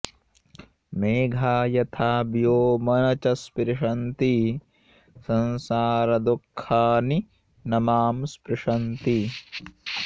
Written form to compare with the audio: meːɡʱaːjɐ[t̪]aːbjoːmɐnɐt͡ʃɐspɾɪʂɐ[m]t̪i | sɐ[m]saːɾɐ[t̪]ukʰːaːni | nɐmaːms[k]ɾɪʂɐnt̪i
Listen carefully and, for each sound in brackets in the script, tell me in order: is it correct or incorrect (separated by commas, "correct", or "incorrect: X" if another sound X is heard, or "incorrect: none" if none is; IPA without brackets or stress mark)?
incorrect: t̪ʰ, incorrect: n, incorrect: n, incorrect: d̪, incorrect: p